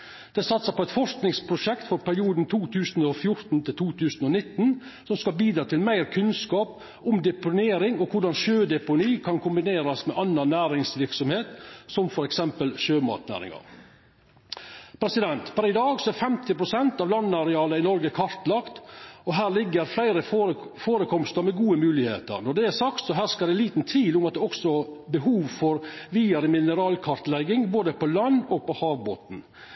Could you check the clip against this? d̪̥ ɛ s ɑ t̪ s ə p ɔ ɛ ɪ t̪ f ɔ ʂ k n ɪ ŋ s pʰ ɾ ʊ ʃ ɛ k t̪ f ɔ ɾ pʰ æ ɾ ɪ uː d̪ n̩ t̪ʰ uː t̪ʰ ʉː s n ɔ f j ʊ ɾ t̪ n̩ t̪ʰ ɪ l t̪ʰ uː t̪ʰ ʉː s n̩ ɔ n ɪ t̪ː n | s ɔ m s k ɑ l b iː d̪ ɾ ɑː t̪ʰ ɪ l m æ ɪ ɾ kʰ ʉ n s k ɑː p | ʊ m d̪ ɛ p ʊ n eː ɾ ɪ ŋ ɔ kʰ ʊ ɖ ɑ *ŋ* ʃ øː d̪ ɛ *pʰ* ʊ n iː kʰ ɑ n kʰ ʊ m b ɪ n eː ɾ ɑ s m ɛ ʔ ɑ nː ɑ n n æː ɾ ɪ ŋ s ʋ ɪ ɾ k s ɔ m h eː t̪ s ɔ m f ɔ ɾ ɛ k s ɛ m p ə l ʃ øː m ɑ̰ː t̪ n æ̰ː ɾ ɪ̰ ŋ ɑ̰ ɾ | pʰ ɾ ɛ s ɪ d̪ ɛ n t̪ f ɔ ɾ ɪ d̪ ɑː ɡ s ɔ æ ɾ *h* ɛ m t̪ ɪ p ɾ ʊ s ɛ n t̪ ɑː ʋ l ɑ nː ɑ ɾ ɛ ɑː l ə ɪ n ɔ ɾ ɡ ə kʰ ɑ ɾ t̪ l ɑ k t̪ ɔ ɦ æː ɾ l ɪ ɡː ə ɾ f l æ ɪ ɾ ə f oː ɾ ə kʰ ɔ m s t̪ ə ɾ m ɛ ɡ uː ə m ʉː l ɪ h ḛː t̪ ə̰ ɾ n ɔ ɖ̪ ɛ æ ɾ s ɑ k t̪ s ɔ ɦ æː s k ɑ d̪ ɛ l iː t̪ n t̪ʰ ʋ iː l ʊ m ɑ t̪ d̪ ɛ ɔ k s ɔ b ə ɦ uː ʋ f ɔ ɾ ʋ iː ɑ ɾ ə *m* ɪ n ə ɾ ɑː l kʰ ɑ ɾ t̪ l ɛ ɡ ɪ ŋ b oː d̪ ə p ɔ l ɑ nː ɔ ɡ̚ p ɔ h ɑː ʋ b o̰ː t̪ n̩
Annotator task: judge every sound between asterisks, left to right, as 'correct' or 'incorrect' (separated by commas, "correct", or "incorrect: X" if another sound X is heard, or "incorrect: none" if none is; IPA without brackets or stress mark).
incorrect: n, incorrect: p, incorrect: f, correct